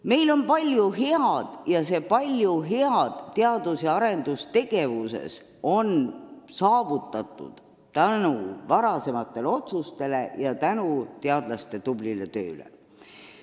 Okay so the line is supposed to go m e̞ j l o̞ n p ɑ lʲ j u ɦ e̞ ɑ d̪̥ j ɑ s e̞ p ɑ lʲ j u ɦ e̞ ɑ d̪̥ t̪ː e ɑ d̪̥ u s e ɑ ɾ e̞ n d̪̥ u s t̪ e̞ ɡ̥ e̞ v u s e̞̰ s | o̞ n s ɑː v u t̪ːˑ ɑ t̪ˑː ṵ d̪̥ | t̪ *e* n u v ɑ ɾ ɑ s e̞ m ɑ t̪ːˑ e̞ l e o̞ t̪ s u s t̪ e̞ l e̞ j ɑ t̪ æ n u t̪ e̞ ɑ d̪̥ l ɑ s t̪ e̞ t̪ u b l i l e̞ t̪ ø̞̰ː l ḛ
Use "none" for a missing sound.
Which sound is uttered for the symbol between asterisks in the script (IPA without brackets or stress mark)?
æ